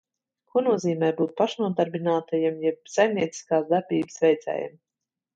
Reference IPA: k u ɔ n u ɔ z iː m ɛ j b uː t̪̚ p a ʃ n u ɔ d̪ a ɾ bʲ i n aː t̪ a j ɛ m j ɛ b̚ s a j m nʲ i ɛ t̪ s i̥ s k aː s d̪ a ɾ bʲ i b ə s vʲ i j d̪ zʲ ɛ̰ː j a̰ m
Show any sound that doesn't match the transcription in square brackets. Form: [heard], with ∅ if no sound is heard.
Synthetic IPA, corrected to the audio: k u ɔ n u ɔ z iː m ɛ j b uː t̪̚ p a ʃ n u ɔ d̪ a ɾ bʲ i n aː t̪ a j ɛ m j ɛ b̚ s a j m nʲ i ɛ t̪ s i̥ s k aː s d̪ a ɾ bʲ [iː] b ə s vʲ [ɛ] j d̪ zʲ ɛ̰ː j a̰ m